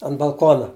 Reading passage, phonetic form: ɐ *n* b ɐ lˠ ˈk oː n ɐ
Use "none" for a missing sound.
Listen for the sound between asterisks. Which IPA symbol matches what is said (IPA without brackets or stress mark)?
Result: n